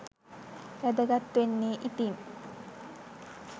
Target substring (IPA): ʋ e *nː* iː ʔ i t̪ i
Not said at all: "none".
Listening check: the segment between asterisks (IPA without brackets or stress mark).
nː